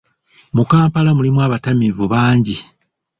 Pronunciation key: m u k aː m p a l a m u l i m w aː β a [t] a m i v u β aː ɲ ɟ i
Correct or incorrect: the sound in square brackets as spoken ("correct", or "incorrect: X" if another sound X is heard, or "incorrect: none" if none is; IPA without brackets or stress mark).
correct